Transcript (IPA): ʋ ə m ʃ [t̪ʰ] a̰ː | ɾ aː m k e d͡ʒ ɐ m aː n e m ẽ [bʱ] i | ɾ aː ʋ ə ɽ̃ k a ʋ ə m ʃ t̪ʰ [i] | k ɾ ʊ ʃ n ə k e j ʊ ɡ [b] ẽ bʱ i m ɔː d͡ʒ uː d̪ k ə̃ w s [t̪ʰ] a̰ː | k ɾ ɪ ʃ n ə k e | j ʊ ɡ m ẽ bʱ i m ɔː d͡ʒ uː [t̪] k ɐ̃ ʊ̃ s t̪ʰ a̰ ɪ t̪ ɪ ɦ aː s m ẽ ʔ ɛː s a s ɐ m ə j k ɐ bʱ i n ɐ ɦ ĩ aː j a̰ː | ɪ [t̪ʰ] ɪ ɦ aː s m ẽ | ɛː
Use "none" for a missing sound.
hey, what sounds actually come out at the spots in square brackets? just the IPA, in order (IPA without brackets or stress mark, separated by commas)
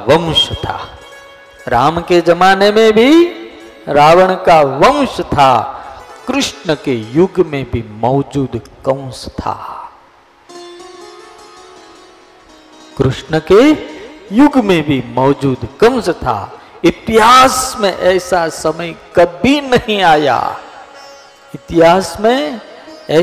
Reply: t̪ʰ, bʱ, a, m, t̪ʰ, d̪, t̪